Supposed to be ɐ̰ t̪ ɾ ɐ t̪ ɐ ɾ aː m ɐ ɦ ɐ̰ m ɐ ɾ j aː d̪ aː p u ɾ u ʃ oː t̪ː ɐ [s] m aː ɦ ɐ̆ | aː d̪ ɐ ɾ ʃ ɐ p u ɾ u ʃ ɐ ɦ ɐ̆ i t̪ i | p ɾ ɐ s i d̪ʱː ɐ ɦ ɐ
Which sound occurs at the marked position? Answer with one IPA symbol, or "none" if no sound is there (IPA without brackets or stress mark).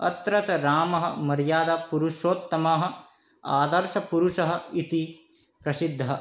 none